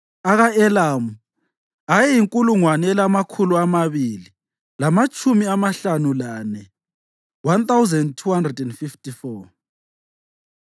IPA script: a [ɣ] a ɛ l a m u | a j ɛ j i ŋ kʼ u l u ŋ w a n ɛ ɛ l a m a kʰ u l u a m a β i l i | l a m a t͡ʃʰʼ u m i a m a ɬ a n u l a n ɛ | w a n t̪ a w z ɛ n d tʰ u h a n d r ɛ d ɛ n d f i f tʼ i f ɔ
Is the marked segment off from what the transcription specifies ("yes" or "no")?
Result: no